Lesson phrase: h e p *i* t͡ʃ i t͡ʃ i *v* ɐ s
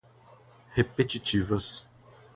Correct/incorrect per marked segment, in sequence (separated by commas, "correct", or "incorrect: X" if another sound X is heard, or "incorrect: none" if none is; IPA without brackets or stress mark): incorrect: e, correct